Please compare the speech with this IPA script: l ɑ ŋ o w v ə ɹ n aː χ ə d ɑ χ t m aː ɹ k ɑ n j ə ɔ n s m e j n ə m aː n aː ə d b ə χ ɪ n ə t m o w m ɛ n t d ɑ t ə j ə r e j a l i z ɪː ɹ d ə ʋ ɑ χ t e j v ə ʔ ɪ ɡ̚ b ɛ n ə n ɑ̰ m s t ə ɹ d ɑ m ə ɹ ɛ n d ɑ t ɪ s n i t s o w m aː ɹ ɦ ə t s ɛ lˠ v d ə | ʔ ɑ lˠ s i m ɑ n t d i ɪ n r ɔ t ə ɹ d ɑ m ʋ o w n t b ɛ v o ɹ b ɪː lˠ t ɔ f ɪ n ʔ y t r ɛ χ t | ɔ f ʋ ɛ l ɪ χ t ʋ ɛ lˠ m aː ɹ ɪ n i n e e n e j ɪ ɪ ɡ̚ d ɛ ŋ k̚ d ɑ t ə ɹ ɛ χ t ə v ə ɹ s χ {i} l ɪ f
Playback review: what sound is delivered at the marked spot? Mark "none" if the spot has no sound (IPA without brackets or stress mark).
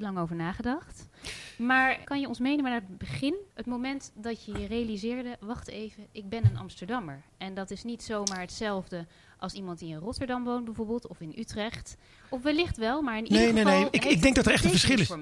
ɪ